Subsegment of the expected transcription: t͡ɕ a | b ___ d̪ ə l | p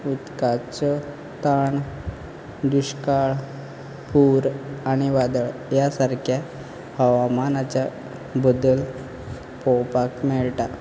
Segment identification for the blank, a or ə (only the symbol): ə